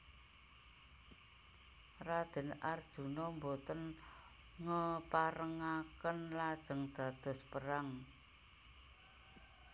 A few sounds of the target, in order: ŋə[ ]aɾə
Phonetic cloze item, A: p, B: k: A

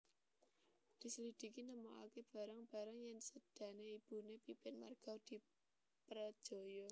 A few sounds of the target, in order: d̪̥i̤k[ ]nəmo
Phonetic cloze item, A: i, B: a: A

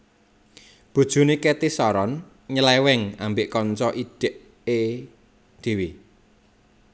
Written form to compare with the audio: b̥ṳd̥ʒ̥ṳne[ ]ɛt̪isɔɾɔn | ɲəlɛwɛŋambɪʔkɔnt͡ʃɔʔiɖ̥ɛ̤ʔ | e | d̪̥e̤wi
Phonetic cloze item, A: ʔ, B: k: B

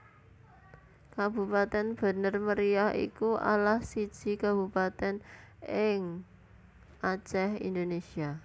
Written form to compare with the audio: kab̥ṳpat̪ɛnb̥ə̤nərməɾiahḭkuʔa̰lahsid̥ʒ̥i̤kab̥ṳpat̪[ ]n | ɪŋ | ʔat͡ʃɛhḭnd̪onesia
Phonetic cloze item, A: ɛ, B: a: A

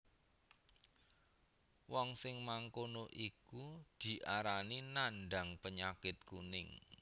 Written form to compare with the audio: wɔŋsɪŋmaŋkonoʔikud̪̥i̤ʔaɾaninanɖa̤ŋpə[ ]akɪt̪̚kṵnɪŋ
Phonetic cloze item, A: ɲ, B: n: A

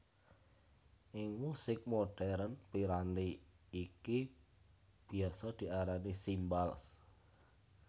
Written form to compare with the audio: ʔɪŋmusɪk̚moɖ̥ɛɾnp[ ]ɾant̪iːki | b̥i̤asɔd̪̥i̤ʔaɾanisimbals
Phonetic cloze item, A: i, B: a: A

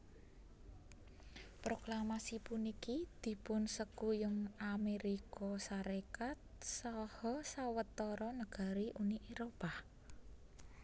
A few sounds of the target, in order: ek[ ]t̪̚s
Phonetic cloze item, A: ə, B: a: B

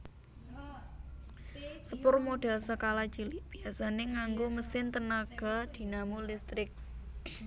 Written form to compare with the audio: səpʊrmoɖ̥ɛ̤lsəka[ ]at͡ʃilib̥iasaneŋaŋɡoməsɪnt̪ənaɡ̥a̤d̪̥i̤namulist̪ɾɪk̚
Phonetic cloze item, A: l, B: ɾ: A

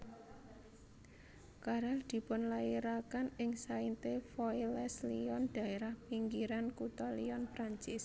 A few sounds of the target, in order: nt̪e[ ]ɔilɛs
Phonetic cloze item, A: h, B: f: B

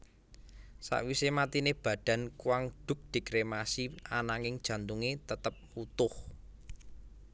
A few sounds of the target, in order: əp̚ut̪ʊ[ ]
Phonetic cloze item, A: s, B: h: B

